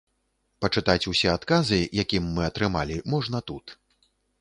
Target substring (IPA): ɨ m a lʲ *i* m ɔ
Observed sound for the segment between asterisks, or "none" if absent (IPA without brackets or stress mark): i